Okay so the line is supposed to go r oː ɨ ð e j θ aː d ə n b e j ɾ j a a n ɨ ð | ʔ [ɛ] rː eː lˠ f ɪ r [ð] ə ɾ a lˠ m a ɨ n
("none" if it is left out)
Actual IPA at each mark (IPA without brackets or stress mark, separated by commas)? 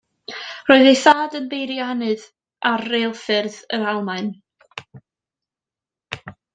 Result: a, ð